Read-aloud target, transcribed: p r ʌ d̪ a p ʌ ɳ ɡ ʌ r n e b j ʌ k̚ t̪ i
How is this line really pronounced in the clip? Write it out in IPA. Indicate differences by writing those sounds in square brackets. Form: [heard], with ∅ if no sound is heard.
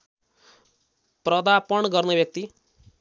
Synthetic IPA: p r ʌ d̪ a p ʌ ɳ ɡ ʌ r n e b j ʌ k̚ t̪ i